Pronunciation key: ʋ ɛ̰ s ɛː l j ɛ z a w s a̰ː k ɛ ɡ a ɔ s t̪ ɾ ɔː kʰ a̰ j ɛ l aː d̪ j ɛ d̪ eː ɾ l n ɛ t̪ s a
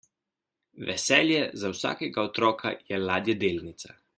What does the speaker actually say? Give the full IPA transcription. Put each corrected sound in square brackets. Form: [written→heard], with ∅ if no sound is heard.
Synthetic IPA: ʋ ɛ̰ s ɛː l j ɛ z a w s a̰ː k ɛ ɡ a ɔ [s→∅] t̪ ɾ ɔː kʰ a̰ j ɛ l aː d̪ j ɛ d̪ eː [ɾ→∅] l n [ɛ→i] t̪ s a